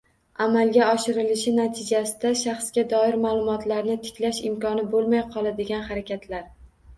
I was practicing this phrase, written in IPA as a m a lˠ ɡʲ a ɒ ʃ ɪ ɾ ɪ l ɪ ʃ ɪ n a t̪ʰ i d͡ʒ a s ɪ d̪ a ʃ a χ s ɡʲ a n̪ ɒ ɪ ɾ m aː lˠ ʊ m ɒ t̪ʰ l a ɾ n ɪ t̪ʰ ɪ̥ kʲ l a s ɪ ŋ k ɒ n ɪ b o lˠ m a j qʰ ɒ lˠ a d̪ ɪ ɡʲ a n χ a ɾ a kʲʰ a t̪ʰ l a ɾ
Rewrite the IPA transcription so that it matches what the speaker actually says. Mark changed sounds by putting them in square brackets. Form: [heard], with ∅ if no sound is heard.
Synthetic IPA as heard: a m a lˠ ɡʲ a ɒ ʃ ɪ ɾ ɪ l ɪ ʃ ɪ n a t̪ʰ [ɪ] d͡ʒ a s ɪ d̪ a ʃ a χ s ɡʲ a [d̪] ɒ ɪ ɾ m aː lˠ ʊ m ɒ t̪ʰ l a ɾ n ɪ t̪ʰ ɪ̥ kʲ l a [ʃ] ɪ [m] k ɒ n ɪ b o lˠ m a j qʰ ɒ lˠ a d̪ ɪ ɡʲ a n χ a ɾ a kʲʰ a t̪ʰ l a ɾ

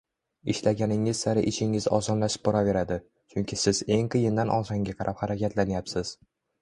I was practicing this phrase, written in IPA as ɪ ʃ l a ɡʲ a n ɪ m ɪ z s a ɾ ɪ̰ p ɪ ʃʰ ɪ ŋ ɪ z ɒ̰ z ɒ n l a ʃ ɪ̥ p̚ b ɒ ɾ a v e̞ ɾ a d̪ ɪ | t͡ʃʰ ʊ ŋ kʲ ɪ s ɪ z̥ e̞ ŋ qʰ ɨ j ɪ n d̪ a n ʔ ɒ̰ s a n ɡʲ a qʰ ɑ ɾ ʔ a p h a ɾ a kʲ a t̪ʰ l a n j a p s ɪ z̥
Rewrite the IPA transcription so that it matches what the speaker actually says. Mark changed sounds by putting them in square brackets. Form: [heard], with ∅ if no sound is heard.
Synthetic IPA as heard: ɪ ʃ l a ɡʲ a n ɪ [ŋ] ɪ z s a ɾ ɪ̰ [ʔ] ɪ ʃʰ ɪ ŋ ɪ z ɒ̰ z ɒ n l a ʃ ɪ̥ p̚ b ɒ ɾ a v e̞ ɾ a d̪ ɪ | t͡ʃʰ ʊ ŋ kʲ ɪ s ɪ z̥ e̞ ŋ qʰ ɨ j ɪ n d̪ a n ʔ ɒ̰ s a [ŋ] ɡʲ a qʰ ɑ ɾ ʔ a p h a ɾ a kʲ a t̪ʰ l a n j a p s ɪ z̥

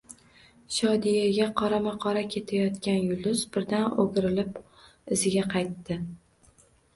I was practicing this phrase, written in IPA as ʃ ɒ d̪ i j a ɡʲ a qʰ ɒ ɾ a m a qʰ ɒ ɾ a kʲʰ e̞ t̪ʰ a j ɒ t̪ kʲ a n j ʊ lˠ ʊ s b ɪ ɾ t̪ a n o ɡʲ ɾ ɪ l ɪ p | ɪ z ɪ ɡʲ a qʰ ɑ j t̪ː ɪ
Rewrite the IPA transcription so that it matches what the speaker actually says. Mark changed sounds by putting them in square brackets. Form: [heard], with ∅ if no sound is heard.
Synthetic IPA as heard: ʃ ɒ d̪ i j a ɡʲ a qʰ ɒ ɾ a m a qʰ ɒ ɾ a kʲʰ e̞ t̪ʰ a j ɒ t̪ kʲ a n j ʊ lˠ ʊ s b ɪ ɾ [d̪] a n o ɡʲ ɾ ɪ l ɪ p | ɪ z ɪ ɡʲ a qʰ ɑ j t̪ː ɪ

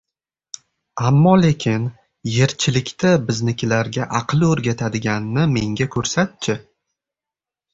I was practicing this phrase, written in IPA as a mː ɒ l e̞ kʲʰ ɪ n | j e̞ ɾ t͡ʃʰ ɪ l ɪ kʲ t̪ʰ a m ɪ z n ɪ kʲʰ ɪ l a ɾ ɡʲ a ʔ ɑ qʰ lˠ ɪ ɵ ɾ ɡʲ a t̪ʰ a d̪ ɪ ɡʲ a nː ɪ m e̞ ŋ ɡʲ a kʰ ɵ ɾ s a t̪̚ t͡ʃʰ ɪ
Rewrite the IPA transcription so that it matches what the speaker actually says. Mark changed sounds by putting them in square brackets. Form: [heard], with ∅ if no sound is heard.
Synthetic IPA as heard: a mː ɒ l e̞ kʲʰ ɪ n | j e̞ ɾ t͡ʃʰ ɪ l ɪ kʲ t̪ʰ a [b] ɪ z n ɪ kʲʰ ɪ l a ɾ ɡʲ a ʔ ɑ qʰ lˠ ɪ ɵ ɾ ɡʲ a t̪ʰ a d̪ ɪ ɡʲ a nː ɪ m e̞ ŋ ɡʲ a kʰ ɵ ɾ s a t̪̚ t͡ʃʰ ɪ

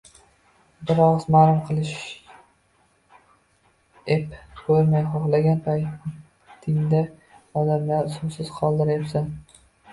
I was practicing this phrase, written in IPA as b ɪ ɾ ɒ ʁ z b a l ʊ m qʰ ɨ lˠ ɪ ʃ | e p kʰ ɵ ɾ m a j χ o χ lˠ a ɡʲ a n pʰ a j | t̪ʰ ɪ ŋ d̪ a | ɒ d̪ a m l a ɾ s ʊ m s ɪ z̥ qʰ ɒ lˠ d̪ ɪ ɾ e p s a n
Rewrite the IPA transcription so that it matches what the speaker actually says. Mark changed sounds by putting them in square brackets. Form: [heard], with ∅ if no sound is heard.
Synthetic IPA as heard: b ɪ ɾ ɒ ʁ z [m] a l ʊ m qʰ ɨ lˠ ɪ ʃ | e p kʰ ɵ ɾ m a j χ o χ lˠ a ɡʲ a n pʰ a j | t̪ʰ ɪ ŋ d̪ a | ɒ d̪ a m l a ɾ s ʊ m s ɪ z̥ qʰ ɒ lˠ d̪ ɪ ɾ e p s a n

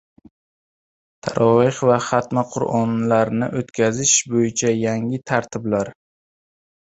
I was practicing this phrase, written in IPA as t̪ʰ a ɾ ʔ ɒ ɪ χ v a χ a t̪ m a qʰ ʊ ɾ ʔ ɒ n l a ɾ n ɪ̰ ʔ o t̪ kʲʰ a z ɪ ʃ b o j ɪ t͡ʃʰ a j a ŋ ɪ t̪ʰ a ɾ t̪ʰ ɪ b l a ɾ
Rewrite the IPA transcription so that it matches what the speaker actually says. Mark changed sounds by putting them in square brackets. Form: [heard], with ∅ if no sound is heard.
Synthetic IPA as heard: t̪ʰ a ɾ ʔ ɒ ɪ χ v a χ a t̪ m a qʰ ʊ ɾ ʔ ɒ n l a ɾ n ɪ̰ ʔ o t̪ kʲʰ a z ɪ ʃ b o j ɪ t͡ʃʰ a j a ŋ ɪ t̪ʰ a ɾ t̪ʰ ɪ b l a ɾ

